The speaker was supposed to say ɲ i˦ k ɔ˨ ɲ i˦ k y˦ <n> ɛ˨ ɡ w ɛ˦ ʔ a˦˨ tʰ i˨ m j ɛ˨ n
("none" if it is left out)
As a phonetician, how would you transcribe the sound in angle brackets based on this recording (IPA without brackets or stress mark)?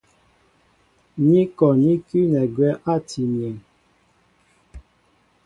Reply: n